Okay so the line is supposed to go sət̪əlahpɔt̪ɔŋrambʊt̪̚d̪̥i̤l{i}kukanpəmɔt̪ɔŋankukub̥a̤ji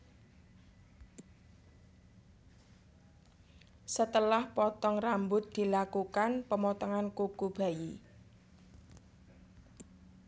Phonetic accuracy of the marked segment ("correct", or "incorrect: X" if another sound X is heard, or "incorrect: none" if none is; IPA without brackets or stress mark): incorrect: a